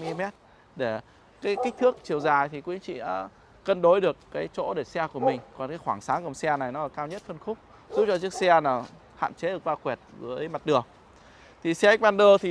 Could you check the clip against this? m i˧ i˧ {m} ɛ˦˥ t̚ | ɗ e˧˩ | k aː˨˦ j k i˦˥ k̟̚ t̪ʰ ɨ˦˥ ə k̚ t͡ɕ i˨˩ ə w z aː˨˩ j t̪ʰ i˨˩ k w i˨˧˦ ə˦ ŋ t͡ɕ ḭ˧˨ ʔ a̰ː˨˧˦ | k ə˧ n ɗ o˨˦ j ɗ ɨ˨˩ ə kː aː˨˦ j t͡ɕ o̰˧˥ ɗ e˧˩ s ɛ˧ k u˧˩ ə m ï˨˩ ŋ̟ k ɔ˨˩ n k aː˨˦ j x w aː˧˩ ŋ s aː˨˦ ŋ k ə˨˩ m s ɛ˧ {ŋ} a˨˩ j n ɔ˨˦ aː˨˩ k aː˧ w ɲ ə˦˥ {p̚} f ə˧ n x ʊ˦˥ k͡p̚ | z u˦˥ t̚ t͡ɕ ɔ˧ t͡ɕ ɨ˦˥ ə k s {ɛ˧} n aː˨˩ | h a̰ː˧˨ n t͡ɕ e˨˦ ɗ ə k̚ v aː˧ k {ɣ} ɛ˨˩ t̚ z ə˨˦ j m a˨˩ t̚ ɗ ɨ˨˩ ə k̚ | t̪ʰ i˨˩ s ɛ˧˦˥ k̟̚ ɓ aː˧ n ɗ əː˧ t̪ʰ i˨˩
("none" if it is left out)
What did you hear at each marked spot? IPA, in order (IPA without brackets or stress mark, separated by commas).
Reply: m, n, t̚, ɛ˧, w